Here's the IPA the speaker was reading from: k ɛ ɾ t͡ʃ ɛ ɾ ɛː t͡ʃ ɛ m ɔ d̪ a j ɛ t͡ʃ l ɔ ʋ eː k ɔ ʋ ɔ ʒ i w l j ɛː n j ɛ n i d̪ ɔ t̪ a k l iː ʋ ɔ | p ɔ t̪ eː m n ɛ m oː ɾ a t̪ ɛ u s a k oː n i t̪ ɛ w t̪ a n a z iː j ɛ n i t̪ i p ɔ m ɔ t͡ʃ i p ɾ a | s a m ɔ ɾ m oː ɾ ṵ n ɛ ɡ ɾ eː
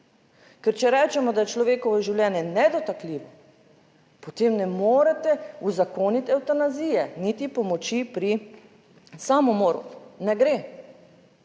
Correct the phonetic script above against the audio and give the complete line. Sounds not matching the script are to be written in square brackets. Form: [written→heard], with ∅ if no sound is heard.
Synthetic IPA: k ɛ ɾ t͡ʃ ɛ ɾ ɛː t͡ʃ ɛ m ɔ d̪ a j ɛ t͡ʃ l ɔ ʋ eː k ɔ ʋ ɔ ʒ i w l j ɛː n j ɛ n [i→ɛ] d̪ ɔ t̪ a k l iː ʋ ɔ | p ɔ t̪ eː m n ɛ m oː ɾ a t̪ ɛ u [s→z] a k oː n i t̪ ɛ w t̪ a n a z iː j ɛ n i t̪ i p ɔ m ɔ t͡ʃ i p ɾ [a→i] | s a m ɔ [ɾ→∅] m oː ɾ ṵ n ɛ ɡ ɾ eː